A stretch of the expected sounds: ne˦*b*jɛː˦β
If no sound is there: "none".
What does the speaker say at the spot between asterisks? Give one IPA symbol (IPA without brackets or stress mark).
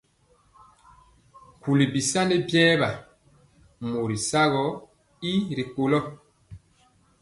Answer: b